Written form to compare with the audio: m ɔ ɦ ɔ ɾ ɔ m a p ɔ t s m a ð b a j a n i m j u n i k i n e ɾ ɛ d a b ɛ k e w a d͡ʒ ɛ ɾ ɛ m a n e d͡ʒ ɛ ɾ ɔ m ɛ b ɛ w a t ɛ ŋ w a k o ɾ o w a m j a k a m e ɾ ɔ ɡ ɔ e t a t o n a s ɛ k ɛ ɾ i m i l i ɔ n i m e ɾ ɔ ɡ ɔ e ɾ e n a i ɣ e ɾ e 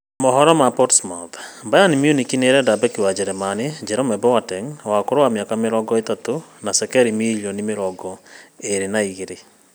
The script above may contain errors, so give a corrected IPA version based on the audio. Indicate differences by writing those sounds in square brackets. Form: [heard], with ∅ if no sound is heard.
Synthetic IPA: m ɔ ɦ ɔ ɾ ɔ m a p ɔ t s m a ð b a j a n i m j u n i k i n e ɾ ɛ d a b ɛ k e w a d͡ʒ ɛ ɾ ɛ m a n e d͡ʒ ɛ ɾ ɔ m ɛ b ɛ w a t ɛ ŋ w a k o ɾ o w a m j a k a m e ɾ ɔ ɡ ɔ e t a t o n a s ɛ k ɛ ɾ i m i l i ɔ n i m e ɾ ɔ ɡ ɔ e ɾ e n a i ɣ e ɾ e